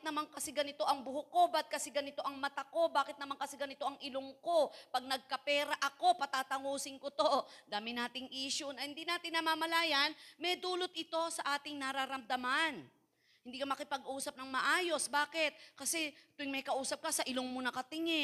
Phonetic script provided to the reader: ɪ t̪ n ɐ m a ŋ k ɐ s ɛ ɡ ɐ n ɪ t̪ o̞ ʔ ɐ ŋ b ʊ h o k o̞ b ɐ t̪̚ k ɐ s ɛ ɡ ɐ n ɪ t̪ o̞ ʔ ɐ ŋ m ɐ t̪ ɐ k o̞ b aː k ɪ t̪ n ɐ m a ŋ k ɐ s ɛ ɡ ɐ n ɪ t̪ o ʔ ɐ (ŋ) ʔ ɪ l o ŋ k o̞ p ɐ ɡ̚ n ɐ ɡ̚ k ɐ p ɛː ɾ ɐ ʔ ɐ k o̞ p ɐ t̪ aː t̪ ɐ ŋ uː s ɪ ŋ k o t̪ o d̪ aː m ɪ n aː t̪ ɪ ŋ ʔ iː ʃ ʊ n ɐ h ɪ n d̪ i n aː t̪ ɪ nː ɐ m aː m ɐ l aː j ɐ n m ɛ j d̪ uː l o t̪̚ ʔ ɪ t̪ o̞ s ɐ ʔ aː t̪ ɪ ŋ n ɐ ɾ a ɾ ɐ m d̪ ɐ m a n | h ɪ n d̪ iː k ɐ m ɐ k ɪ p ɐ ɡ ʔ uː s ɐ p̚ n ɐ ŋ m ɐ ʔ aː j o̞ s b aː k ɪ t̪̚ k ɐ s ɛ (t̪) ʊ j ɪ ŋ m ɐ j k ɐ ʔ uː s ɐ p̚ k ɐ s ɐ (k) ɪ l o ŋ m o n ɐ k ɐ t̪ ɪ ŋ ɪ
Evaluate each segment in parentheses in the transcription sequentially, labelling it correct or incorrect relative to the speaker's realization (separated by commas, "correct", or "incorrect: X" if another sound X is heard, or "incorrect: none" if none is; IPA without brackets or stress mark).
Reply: correct, correct, incorrect: ʔ